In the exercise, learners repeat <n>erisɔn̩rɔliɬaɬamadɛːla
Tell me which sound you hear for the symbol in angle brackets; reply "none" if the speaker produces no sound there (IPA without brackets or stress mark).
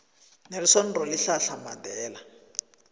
n